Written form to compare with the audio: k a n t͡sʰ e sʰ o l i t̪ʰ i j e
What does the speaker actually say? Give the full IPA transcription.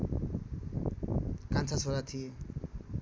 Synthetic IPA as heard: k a n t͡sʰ a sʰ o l a t̪ʰ i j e